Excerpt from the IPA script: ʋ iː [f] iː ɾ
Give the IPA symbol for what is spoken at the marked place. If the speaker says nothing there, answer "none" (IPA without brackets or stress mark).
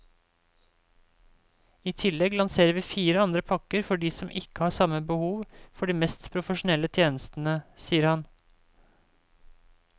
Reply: f